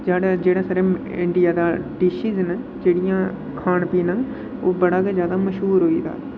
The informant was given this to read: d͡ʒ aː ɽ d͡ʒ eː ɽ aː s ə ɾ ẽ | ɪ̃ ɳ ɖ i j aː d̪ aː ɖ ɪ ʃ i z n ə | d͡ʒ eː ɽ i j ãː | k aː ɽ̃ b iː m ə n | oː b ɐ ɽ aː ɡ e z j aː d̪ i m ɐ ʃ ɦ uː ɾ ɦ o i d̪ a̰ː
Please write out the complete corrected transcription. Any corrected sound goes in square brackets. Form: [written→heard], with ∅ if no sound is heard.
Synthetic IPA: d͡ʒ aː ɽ d͡ʒ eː ɽ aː s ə ɾ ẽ | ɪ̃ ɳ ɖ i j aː d̪ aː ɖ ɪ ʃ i z n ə | d͡ʒ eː ɽ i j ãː | [k→kʰ] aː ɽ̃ [b→p] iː [m→n] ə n | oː b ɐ ɽ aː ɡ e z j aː d̪ [i→a] m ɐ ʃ ɦ uː ɾ ɦ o i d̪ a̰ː